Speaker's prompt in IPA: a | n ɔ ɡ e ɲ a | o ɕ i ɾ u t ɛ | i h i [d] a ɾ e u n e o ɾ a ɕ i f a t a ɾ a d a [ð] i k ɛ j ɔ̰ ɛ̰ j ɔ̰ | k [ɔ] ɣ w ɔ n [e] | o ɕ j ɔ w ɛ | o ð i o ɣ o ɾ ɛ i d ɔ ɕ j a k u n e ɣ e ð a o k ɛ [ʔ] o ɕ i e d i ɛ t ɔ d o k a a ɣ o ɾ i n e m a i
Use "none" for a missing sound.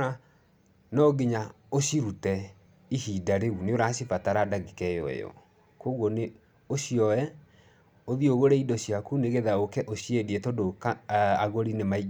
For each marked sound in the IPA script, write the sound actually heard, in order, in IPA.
d, ɣ, o, e, ʔ

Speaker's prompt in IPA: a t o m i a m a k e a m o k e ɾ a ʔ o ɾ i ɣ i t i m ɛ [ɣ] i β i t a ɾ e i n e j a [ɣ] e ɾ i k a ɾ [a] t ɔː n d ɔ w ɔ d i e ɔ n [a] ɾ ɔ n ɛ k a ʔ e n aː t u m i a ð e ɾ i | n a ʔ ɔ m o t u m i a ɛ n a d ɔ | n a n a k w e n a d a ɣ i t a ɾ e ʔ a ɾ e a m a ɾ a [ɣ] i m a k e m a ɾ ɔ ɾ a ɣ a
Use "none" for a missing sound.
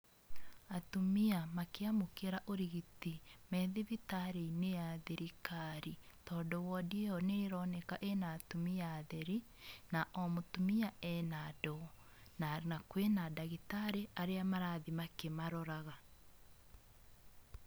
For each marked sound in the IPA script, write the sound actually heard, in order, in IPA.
ð, ð, i, e, ð

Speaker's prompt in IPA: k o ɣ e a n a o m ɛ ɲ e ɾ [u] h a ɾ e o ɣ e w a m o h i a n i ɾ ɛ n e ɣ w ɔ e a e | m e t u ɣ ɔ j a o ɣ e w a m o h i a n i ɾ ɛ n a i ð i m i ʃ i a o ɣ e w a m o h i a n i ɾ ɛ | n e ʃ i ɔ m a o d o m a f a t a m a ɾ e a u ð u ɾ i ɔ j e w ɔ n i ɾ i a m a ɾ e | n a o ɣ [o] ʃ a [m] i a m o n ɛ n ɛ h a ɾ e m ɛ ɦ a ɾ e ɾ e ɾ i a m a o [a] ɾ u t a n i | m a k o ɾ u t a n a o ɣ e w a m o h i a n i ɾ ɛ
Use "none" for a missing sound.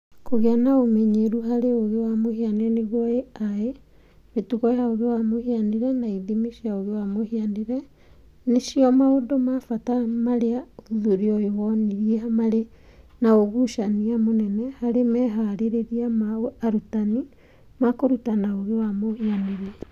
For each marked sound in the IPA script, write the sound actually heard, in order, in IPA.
u, u, n, a

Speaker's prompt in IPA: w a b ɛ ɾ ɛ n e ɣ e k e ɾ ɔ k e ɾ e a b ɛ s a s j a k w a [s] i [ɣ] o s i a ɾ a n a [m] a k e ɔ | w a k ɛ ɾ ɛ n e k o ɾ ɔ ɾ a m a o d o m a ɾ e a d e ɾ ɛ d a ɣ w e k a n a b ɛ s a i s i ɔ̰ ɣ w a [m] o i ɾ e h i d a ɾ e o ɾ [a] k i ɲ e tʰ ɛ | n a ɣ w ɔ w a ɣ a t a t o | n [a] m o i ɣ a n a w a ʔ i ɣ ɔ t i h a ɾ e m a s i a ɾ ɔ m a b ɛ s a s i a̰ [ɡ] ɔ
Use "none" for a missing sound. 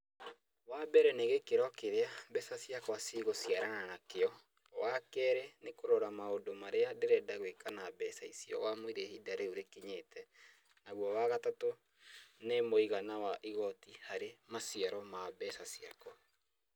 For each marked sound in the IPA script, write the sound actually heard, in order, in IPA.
s, ɣ, n, m, e, e, k

